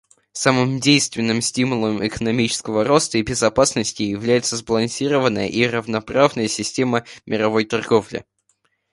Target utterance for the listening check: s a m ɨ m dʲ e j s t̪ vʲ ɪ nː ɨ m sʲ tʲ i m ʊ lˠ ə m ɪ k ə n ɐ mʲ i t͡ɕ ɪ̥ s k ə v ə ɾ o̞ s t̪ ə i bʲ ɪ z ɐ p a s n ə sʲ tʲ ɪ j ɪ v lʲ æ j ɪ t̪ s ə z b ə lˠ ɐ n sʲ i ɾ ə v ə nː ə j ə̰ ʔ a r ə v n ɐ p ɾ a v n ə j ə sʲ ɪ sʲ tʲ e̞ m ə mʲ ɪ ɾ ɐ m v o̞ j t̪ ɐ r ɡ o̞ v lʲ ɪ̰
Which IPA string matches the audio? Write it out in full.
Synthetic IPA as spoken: s a m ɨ m dʲ e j s t̪ vʲ ɪ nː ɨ m sʲ tʲ i m ʊ lˠ ə m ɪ k ə n ɐ mʲ i t͡ɕ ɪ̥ s k ə v ə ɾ o̞ s t̪ ə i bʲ ɪ z ɐ p a s n ə sʲ tʲ ɪ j ɪ v lʲ æ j ɪ t̪ s ə z b ə lˠ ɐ n sʲ i ɾ ə v ə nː ə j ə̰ ʔ i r ə v n ɐ p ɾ a v n ə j ə sʲ ɪ sʲ tʲ e̞ m ə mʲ ɪ ɾ ɐ v o̞ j t̪ ɐ r ɡ o̞ v lʲ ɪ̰